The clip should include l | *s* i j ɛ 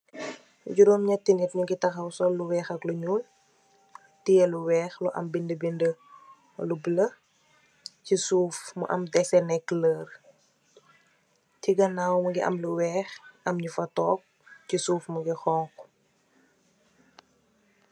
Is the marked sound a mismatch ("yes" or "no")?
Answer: yes